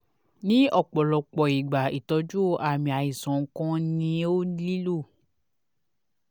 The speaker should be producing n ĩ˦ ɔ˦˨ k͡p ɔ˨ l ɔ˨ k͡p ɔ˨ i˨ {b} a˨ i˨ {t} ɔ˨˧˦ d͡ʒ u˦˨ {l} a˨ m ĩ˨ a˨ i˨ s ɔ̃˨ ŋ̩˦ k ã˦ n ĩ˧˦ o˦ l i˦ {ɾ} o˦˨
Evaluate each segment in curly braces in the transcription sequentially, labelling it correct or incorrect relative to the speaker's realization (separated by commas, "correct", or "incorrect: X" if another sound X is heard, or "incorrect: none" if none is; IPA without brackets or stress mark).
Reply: incorrect: ɡ͡b, correct, incorrect: none, incorrect: l